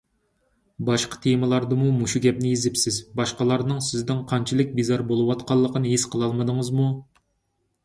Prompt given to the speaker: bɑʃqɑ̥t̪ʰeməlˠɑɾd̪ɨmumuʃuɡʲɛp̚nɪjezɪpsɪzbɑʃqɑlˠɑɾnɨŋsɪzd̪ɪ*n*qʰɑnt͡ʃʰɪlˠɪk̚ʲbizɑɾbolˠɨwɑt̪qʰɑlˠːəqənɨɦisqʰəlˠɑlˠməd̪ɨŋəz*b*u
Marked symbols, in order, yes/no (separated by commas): no, no